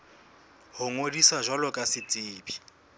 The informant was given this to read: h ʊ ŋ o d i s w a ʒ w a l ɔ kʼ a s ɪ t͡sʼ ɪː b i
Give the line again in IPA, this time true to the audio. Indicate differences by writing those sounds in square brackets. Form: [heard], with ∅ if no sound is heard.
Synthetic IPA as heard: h ʊ ŋ o d i s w a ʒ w a l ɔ kʼ a s ɪ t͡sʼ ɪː b i